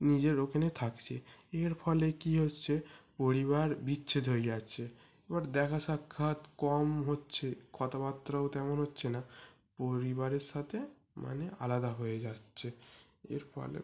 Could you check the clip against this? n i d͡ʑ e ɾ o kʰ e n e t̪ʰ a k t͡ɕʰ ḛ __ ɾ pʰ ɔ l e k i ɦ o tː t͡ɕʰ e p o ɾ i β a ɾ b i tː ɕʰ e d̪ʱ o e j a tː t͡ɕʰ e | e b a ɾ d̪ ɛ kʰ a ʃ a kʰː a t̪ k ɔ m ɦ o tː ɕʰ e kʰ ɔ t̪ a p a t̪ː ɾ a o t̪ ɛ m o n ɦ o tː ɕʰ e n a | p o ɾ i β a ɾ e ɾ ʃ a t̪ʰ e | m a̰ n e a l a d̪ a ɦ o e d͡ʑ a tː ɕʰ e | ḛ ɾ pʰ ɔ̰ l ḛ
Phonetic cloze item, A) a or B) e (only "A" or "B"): B